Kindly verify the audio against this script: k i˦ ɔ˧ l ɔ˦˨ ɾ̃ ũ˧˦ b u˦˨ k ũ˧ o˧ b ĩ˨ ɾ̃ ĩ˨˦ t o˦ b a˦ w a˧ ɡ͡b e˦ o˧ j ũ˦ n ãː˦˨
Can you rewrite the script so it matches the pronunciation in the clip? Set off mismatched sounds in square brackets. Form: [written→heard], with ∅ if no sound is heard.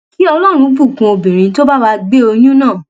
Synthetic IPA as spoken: k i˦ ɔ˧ l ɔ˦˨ ɾ̃ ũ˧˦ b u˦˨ k ũ˧ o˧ b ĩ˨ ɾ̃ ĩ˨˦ t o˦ b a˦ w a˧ ɡ͡b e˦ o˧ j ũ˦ n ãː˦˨